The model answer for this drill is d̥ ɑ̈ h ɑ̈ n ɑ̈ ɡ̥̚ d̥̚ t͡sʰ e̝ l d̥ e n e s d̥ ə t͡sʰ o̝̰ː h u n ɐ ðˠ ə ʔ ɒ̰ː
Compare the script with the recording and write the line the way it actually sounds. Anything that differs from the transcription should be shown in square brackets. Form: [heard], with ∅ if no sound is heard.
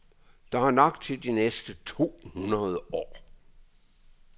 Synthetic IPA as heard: d̥ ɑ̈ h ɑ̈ n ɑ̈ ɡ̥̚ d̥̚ t͡sʰ e̝ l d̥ [i] n e s d̥ ə t͡sʰ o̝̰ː h u n ɐ ðˠ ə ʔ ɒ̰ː